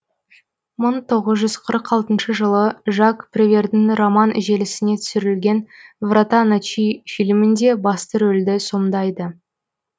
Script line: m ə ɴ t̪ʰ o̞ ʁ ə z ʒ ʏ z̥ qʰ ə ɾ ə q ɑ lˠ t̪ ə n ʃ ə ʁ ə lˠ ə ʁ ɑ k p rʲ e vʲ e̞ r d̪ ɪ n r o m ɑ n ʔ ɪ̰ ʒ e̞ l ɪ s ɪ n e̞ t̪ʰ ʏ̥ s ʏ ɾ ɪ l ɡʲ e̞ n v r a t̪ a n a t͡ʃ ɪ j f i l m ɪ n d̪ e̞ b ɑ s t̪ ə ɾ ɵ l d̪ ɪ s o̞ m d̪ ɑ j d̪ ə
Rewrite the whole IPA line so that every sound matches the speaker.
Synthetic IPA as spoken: m ə ɴ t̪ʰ o̞ ʁ ə z ʒ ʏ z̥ qʰ ə ɾ ə q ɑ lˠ t̪ ə n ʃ ə ʒ ə lˠ ə ʒ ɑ k p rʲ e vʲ e̞ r d̪ ɪ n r o m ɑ n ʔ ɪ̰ ʒ e̞ l ɪ s ɪ n e̞ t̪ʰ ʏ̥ s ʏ ɾ ɪ l ɡʲ e̞ n v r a t̪ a n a t͡ʃ i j f i l m ɪ n d̪ e̞ b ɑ s t̪ ə ɾ ɵ l d̪ ɪ s o̞ m d̪ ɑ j d̪ ə